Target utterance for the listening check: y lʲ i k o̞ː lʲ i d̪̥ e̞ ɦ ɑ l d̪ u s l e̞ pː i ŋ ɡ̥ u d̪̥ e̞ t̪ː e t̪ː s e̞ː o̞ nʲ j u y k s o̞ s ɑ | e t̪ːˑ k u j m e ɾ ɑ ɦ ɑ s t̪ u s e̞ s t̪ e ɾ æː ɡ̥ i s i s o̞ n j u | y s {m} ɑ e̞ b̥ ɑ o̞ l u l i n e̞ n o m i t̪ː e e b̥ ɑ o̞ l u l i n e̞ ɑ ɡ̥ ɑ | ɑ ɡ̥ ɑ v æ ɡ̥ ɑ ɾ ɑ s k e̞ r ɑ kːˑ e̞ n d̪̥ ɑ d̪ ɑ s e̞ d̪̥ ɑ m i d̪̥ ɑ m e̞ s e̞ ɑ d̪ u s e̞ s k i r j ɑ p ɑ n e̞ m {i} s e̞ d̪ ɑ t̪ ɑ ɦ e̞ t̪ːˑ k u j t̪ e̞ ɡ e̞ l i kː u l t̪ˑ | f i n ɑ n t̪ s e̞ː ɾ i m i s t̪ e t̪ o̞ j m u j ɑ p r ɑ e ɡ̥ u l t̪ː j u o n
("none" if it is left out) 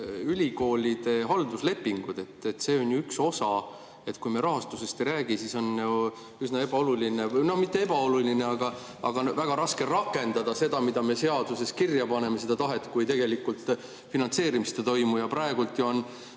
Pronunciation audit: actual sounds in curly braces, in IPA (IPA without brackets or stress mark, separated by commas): n, e